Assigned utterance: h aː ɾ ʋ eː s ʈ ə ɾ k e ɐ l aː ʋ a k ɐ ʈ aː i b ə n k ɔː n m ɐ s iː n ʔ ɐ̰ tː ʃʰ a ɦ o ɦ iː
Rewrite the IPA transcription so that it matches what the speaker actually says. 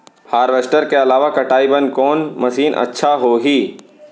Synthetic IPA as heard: h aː ɾ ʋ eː s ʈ ə ɾ k e ɐ l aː ʋ a k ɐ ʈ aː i b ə n k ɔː n m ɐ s iː n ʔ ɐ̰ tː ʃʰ a ɦ o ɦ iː